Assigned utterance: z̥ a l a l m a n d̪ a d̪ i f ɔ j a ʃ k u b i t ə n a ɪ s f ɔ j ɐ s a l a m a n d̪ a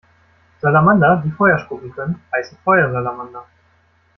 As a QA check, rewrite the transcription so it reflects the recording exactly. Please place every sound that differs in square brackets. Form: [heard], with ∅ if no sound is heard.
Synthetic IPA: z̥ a l a [∅] m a n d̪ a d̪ i f ɔ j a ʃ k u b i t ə n a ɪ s f ɔ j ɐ [z] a l a m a n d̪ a